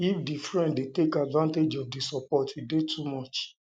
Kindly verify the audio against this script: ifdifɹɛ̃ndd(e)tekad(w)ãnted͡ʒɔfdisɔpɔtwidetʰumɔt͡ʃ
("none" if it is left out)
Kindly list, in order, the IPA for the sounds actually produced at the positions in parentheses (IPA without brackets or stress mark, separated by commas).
e, v